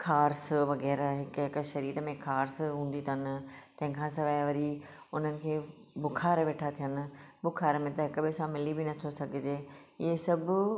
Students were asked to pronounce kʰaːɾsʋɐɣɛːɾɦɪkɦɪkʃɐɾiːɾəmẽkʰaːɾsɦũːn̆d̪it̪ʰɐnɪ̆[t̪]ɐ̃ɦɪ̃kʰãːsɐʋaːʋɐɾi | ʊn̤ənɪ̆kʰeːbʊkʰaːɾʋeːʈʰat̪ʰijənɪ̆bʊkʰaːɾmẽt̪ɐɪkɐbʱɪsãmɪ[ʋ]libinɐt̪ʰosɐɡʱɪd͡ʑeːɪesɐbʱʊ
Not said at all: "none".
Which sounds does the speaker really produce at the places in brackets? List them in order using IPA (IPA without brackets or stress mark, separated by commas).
t̪, none